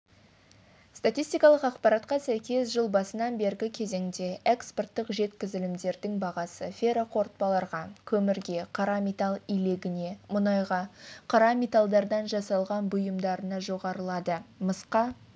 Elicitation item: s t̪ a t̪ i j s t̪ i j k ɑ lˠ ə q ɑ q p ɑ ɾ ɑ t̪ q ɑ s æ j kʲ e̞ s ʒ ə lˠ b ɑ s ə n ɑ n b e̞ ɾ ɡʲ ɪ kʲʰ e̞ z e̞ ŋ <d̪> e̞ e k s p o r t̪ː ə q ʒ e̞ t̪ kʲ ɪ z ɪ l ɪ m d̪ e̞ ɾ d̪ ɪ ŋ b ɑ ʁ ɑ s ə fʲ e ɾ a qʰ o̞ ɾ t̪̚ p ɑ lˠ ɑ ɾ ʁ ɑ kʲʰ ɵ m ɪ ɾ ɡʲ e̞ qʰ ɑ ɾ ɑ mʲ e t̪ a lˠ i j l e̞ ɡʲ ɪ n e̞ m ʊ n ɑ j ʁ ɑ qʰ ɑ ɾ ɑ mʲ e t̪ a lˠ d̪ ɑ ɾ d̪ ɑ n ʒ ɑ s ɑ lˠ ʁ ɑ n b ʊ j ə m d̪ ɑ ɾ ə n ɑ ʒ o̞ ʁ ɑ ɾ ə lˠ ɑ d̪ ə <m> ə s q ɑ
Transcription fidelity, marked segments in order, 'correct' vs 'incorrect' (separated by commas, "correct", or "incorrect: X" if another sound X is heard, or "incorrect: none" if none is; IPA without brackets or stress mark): correct, correct